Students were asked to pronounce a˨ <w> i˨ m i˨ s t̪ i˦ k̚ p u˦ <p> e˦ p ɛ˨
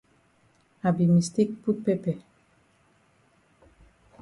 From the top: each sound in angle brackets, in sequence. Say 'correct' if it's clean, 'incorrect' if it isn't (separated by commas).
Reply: incorrect, correct